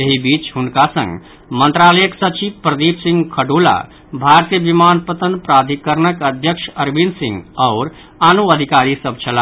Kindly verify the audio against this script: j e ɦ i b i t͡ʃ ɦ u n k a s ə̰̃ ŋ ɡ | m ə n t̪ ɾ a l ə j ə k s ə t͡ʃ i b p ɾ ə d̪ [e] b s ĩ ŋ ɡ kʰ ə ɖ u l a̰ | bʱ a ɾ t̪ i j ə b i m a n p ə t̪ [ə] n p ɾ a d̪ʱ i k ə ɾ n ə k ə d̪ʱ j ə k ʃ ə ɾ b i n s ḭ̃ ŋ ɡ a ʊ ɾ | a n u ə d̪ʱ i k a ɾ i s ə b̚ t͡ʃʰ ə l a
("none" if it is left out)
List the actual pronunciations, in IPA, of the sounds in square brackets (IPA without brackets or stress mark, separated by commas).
i, ə